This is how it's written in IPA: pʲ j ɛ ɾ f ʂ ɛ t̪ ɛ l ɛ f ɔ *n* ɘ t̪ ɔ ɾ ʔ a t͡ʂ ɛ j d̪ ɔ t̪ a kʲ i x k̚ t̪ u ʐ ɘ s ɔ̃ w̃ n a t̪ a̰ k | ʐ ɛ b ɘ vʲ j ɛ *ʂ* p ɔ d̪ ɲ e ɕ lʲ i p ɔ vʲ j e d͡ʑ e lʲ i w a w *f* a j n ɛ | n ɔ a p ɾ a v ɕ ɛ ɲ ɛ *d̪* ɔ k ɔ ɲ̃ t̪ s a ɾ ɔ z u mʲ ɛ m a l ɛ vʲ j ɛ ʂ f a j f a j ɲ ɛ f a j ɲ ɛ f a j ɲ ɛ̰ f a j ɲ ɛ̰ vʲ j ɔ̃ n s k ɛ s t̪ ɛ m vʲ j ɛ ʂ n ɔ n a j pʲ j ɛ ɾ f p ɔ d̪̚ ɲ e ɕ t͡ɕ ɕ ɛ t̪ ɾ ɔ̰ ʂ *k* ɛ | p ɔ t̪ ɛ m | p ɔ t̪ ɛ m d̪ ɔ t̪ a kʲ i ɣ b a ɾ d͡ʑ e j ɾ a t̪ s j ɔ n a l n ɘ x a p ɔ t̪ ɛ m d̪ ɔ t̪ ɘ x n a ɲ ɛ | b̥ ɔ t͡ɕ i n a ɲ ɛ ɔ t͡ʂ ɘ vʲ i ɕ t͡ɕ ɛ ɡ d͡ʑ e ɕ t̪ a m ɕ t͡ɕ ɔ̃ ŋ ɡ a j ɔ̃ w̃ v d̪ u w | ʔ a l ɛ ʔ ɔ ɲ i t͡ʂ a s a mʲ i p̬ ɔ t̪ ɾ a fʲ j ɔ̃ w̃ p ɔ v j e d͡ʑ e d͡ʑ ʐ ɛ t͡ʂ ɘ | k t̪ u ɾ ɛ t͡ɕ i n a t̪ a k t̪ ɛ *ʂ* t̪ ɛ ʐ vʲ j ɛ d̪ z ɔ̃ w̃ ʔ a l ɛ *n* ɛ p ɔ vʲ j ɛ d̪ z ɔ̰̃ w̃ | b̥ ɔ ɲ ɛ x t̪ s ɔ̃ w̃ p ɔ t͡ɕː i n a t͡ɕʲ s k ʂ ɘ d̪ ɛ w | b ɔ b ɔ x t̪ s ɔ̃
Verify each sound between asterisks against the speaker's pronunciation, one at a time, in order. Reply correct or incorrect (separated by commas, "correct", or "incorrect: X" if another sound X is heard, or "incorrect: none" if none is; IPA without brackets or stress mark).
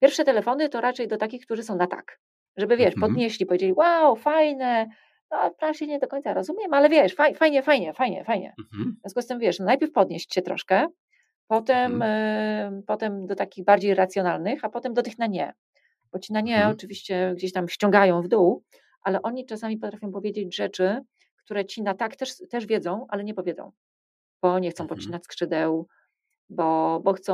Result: correct, correct, correct, correct, correct, correct, incorrect: ɲ